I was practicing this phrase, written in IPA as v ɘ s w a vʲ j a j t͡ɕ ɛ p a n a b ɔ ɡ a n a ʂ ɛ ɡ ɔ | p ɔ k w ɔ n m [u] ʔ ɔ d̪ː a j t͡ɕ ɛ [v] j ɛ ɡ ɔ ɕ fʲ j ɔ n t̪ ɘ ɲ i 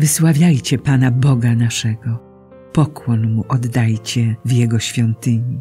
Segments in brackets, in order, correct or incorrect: correct, correct

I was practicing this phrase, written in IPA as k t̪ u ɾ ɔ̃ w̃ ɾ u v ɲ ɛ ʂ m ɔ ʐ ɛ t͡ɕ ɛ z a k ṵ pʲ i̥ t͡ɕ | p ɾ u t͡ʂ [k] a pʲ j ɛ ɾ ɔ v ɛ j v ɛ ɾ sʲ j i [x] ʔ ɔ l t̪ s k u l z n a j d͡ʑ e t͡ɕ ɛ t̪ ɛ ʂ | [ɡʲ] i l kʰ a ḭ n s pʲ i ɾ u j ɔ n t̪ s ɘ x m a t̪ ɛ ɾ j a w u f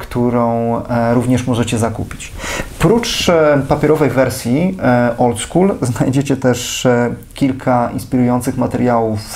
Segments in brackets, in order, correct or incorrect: incorrect: p, incorrect: none, incorrect: kʲ

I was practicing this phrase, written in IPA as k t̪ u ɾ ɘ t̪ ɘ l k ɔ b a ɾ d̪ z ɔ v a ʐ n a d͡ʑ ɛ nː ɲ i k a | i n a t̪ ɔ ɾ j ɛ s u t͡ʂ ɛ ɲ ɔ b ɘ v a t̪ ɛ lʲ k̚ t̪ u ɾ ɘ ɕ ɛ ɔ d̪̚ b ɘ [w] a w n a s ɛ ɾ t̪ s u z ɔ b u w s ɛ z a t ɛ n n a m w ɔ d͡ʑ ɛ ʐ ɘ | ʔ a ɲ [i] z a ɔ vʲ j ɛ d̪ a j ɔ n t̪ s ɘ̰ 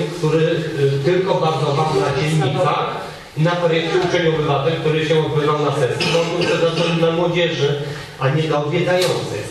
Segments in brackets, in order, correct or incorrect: incorrect: v, incorrect: ɛ

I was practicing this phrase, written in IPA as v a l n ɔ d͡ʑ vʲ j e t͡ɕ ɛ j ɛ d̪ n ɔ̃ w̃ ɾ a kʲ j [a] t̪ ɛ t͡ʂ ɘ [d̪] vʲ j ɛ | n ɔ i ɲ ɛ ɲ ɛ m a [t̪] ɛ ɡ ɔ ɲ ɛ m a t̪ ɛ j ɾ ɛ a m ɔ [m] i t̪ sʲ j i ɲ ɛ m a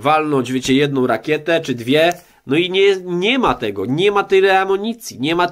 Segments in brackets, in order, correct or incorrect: incorrect: ɛ, correct, correct, incorrect: ɲ

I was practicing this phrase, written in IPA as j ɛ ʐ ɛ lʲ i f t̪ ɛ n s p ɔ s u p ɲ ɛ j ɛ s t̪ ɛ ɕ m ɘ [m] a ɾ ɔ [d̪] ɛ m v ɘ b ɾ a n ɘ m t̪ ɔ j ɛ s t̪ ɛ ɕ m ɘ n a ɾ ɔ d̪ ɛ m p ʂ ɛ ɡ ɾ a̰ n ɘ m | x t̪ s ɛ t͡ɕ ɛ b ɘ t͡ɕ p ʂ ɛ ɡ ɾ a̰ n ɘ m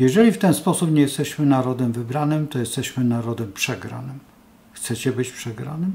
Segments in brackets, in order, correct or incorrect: incorrect: n, correct

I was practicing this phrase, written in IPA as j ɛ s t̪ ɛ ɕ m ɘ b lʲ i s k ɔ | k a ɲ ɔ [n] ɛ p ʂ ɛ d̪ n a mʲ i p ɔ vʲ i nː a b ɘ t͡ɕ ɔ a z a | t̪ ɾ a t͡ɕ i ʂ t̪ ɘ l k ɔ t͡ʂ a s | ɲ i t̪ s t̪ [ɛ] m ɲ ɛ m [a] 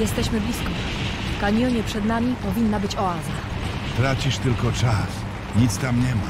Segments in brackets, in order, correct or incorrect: incorrect: ɲ, incorrect: a, correct

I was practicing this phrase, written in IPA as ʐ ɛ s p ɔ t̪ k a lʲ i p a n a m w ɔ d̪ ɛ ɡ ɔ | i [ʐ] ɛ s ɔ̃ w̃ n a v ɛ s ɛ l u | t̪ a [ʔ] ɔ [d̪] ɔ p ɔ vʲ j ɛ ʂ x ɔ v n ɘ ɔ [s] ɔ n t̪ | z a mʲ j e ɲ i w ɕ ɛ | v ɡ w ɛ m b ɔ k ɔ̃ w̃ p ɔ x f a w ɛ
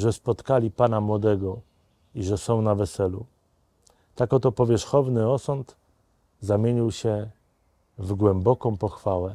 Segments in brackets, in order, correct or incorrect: correct, incorrect: k, incorrect: t̪, correct

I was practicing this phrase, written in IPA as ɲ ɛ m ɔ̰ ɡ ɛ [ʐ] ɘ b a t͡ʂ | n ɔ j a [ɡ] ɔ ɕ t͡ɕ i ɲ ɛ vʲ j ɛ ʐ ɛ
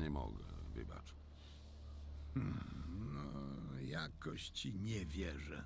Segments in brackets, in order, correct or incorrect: incorrect: v, incorrect: k

